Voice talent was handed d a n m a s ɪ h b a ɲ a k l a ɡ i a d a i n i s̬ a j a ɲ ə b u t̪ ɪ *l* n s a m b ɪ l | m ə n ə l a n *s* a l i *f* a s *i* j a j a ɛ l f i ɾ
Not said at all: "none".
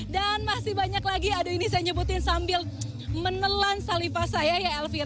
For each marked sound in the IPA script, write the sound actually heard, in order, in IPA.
none, s, f, a

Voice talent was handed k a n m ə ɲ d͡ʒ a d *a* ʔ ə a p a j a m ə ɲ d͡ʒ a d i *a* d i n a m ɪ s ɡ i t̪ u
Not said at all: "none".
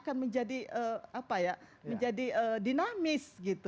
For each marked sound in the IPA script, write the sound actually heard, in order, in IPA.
i, ə

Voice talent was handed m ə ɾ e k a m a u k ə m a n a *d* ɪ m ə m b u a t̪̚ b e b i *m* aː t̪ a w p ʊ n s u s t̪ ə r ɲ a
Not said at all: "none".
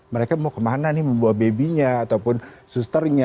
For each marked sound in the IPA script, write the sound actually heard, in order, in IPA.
n, ɲ

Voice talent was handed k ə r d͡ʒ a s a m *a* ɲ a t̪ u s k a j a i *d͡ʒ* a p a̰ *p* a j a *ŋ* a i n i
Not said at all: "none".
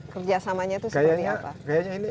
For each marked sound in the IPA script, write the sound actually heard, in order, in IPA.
a, none, k, ɲ

